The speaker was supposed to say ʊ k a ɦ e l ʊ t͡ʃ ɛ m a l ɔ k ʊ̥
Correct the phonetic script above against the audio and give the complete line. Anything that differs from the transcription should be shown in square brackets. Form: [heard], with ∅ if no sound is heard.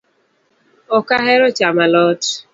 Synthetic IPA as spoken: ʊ k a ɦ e [ɾ] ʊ t͡ʃ [a] m a l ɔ [t] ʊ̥